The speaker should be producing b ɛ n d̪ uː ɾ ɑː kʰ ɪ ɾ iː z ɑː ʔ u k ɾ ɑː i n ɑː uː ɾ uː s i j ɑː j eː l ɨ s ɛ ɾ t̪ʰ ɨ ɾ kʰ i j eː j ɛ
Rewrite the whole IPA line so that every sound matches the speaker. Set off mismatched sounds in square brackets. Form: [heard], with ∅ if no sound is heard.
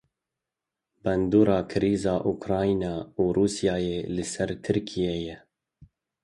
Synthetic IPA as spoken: b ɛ n d̪ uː ɾ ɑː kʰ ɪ ɾ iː z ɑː ʔ u k ɾ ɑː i n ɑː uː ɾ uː s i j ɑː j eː l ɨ s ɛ ɾ t̪ʰ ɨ ɾ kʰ i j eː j ɛ